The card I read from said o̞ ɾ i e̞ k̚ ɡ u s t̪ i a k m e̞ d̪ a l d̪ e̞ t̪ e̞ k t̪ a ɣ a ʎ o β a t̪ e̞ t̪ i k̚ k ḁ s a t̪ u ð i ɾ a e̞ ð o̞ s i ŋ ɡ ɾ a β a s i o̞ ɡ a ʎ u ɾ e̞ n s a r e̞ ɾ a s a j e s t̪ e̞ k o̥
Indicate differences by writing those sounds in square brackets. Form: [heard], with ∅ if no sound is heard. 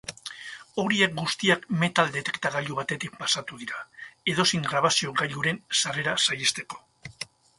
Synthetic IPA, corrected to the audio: o̞ ɾ i e̞ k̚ ɡ u s t̪ i a k m e̞ [t̪] a l d̪ e̞ t̪ e̞ k t̪ a ɣ a ʎ [u] β a t̪ e̞ t̪ i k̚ [p] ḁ s a t̪ u ð i ɾ a e̞ ð o̞ s i ŋ ɡ ɾ a β a s i o̞ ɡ a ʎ u ɾ e̞ n s a r e̞ ɾ a s a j e s t̪ e̞ k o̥